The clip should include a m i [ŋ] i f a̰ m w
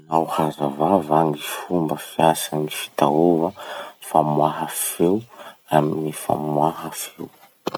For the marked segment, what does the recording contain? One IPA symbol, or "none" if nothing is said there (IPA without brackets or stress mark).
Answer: n